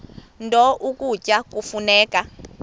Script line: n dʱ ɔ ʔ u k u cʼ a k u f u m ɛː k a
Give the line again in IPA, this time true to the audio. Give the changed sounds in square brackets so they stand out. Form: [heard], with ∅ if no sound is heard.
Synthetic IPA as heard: n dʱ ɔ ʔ u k u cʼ a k u f u [n] ɛː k a